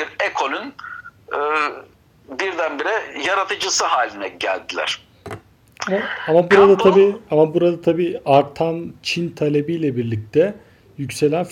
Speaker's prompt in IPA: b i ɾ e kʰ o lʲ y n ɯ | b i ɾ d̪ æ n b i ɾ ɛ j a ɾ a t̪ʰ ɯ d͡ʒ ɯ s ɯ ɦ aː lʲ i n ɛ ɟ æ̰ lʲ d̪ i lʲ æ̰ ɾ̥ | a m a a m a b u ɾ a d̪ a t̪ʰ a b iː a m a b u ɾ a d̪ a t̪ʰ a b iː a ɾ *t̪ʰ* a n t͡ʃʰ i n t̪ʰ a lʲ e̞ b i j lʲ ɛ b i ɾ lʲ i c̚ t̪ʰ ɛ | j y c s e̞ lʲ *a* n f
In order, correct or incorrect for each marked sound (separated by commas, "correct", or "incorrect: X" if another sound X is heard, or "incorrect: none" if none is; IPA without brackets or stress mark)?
correct, incorrect: æ